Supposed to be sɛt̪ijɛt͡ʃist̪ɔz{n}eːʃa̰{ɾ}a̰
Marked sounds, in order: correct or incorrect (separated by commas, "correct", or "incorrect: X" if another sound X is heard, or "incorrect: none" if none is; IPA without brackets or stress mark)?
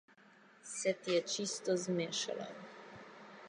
incorrect: m, incorrect: l